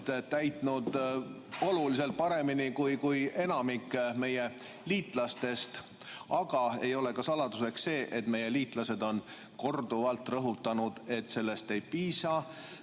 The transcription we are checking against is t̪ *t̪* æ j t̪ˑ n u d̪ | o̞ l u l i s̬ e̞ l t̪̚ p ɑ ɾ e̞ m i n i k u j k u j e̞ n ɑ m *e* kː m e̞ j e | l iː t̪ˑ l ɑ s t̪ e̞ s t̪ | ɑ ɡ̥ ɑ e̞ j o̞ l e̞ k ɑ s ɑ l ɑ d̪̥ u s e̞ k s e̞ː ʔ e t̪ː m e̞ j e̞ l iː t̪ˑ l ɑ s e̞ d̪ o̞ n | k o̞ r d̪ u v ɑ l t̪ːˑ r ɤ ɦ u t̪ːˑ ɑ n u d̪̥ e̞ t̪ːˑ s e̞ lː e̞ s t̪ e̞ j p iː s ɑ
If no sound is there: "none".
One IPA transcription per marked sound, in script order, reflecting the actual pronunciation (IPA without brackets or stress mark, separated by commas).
t̪, i